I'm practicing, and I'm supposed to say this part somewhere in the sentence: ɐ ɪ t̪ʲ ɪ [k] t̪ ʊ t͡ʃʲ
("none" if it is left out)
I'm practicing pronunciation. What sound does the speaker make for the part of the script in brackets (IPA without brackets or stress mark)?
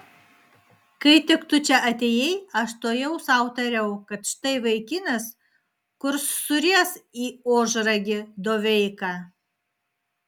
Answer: k